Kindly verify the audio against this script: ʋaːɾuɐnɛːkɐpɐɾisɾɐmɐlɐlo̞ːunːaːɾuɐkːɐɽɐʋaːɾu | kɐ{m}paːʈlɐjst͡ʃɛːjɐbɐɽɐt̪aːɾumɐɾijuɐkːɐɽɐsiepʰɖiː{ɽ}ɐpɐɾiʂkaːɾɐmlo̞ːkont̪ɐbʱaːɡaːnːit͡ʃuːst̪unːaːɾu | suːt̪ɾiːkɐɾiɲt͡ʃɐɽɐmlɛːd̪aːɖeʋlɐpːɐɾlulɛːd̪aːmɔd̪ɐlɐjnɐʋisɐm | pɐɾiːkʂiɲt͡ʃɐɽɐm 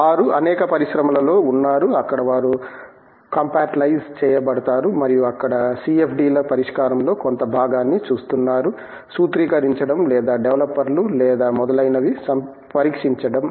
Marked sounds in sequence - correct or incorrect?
correct, incorrect: l

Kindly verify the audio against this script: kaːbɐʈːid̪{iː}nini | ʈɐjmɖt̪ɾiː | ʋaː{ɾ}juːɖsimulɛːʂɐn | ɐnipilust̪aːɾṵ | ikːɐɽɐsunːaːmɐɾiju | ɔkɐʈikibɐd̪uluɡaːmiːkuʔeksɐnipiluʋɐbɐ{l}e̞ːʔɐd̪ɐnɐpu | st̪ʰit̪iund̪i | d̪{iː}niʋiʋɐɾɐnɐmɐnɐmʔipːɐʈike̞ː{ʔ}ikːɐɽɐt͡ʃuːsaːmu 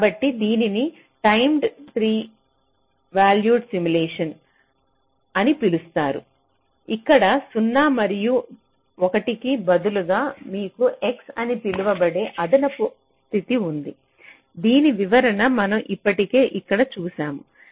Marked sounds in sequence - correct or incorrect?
correct, incorrect: l, incorrect: ɽ, correct, correct

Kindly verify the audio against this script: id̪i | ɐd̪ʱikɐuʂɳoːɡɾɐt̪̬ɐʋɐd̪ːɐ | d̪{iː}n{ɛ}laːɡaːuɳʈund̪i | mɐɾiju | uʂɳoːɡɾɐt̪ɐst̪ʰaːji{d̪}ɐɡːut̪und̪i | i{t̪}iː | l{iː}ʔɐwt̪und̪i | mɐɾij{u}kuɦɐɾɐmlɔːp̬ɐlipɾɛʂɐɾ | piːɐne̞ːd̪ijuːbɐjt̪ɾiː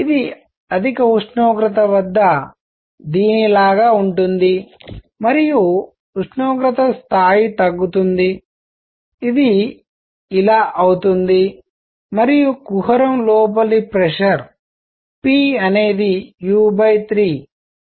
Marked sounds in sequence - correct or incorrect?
correct, incorrect: i, incorrect: t̪, incorrect: d̪, incorrect: aː, correct

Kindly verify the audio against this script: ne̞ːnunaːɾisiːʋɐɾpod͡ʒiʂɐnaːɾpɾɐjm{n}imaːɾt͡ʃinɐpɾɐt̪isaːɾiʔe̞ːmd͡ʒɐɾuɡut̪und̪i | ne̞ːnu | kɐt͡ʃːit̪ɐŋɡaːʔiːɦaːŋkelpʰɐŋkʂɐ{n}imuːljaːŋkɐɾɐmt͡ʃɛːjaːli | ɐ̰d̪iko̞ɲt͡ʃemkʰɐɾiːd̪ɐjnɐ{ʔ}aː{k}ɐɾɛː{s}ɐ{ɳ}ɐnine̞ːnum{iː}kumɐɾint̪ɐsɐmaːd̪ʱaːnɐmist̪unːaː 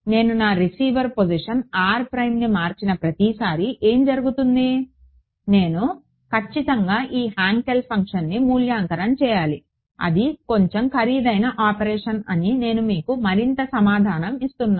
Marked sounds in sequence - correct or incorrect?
correct, incorrect: nː, correct, incorrect: p, incorrect: ʂ, incorrect: n, correct

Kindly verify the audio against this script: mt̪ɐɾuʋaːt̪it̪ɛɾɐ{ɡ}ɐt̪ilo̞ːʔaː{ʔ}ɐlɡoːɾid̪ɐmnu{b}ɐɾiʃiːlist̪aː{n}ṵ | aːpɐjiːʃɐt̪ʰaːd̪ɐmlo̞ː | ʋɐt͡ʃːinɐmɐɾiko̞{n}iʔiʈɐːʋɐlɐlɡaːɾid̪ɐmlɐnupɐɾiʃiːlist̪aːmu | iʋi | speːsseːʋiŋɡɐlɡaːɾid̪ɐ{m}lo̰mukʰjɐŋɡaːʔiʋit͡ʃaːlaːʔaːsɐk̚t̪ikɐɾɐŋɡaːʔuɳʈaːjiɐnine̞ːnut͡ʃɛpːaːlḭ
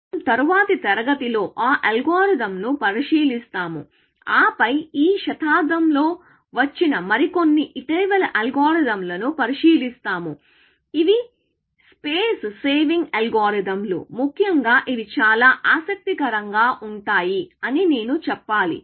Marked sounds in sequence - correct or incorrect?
correct, correct, incorrect: p, incorrect: m, incorrect: nː, correct

